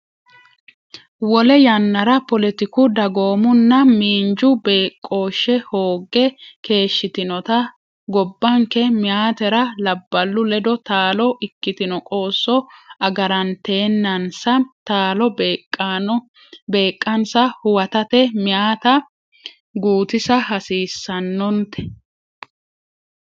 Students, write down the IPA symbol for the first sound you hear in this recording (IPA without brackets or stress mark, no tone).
w